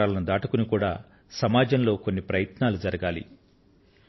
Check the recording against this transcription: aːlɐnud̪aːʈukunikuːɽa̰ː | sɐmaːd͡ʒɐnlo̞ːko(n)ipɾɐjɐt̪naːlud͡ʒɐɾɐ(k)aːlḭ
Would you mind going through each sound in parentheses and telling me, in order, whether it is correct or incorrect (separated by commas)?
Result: incorrect, incorrect